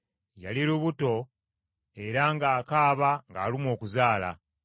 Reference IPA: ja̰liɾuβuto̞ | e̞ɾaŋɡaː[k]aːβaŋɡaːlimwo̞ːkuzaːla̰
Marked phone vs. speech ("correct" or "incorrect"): correct